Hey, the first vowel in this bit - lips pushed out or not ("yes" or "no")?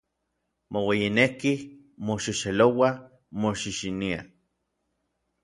yes